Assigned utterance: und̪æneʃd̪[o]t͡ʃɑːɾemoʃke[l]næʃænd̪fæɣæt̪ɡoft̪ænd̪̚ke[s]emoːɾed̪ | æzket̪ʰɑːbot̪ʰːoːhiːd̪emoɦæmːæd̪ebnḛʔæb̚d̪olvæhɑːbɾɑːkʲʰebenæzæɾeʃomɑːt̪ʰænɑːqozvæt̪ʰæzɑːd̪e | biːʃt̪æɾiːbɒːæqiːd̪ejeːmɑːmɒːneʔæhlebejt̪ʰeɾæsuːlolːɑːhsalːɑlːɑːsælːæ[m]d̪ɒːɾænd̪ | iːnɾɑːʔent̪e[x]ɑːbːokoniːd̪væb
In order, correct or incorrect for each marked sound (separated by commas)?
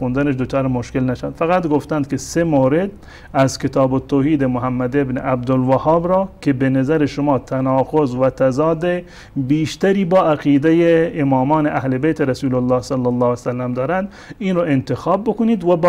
correct, correct, correct, correct, correct